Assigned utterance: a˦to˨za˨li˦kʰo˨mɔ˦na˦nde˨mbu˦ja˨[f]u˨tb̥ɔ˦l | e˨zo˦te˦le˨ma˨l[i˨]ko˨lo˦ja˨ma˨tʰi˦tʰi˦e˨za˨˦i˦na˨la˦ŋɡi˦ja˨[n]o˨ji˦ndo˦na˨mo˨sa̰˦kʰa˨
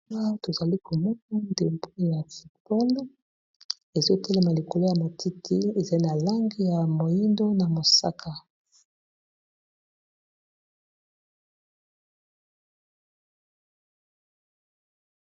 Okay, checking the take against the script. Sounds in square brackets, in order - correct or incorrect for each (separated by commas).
correct, correct, incorrect